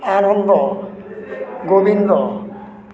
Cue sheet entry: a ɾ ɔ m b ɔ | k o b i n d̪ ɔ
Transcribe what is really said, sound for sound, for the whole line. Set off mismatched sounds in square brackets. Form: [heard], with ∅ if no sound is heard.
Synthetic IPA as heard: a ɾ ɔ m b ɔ | [ɡ] o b i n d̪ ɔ